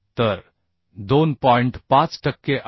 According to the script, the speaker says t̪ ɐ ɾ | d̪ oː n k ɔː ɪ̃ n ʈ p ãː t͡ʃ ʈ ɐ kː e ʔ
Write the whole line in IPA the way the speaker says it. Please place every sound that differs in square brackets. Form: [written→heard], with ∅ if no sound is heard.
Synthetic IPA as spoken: t̪ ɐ ɾ | d̪ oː n [k→p] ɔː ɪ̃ [n→ɳ] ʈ p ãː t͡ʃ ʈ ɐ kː e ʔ